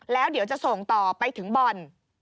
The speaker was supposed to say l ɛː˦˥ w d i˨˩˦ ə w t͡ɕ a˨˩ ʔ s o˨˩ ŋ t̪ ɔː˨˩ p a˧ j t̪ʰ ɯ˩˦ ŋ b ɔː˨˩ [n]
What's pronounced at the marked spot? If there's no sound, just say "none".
n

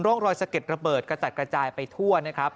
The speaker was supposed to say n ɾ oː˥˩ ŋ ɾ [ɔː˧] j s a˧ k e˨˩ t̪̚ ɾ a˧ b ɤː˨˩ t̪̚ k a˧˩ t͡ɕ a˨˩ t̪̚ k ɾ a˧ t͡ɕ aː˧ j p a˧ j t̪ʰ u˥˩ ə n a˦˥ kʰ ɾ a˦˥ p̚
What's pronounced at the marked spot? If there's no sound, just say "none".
ɔː˧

